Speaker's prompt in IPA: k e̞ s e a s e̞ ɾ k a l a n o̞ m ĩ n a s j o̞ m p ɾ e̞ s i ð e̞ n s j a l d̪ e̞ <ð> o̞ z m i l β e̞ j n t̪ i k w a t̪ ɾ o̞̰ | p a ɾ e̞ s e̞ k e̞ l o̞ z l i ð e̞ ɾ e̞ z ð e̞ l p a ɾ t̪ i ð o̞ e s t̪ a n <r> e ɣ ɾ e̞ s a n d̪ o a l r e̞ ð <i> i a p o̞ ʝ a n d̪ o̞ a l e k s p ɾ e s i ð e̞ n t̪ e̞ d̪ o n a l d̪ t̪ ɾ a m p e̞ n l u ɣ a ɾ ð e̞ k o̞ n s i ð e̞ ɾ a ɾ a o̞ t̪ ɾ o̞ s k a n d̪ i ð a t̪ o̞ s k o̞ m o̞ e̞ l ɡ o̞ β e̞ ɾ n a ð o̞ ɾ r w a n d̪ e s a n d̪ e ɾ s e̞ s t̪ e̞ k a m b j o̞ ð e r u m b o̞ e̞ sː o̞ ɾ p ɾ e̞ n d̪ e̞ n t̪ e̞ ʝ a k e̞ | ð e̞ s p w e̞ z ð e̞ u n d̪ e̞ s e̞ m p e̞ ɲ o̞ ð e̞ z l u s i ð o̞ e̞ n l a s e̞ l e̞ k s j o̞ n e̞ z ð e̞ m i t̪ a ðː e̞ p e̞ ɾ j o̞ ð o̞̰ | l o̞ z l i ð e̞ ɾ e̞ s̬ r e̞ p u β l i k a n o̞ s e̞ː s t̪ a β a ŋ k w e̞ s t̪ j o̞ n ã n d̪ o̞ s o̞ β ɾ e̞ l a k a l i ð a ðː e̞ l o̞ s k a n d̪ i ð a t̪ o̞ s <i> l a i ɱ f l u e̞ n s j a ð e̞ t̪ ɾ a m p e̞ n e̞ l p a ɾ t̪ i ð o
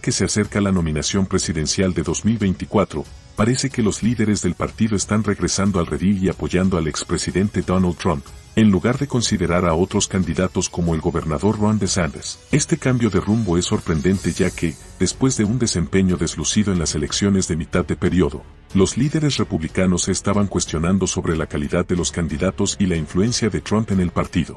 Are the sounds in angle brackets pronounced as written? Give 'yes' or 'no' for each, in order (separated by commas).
yes, yes, yes, yes